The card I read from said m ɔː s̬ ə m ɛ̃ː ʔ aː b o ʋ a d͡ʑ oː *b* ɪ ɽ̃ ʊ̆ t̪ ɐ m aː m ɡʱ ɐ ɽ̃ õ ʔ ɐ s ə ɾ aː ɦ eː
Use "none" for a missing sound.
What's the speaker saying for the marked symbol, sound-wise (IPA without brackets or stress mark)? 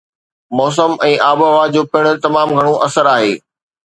p